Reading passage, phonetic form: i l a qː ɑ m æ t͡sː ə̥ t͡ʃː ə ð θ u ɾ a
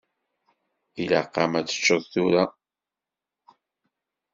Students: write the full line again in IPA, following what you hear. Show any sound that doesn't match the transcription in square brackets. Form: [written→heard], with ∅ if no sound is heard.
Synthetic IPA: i l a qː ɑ m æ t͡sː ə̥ t͡ʃː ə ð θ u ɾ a